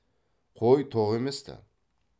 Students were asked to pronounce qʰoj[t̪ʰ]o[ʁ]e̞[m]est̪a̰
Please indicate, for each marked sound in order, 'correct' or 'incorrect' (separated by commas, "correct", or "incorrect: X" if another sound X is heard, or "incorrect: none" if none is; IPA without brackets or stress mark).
correct, correct, correct